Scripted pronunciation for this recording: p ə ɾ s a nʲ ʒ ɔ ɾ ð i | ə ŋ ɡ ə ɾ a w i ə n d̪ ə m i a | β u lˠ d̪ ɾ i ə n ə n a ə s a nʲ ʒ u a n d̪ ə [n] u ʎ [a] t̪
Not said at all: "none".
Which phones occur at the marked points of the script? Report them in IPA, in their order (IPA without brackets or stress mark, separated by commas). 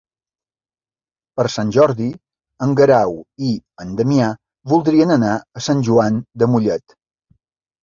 m, ɛ